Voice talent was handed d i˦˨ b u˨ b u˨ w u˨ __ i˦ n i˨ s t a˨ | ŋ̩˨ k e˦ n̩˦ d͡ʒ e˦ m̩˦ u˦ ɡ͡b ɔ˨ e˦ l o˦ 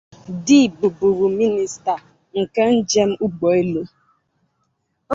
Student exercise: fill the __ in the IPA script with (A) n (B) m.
B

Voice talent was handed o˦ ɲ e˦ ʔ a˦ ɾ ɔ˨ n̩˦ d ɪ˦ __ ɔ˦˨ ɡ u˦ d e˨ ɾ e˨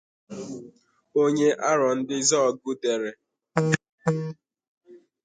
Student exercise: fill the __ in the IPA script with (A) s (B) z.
B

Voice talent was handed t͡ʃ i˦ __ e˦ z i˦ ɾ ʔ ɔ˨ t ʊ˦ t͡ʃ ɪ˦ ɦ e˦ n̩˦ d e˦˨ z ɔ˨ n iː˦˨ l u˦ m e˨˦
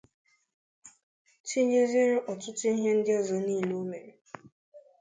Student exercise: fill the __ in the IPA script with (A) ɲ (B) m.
A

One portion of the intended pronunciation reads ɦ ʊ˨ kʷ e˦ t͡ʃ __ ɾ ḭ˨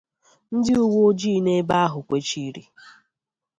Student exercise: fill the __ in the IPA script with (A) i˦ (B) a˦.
A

